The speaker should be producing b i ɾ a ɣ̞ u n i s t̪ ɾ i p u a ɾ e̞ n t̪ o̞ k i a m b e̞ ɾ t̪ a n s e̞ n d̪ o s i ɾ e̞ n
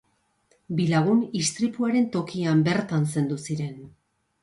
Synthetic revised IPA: b i l a ɣ̞ u n i s t̪ ɾ i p u a ɾ e̞ n t̪ o̞ k i a m b e̞ ɾ t̪ a n s e̞ n d̪ u s i ɾ e̞ n